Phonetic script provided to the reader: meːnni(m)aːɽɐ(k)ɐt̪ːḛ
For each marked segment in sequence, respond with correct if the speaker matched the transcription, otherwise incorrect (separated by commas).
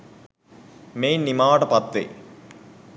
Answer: correct, incorrect